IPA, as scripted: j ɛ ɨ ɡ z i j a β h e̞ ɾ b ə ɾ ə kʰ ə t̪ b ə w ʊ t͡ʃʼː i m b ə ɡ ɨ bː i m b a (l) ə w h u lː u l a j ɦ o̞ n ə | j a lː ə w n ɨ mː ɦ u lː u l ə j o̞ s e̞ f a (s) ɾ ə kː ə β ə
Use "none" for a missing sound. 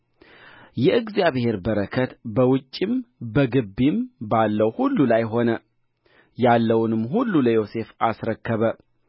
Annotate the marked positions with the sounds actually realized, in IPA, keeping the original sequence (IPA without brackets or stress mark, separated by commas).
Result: lː, s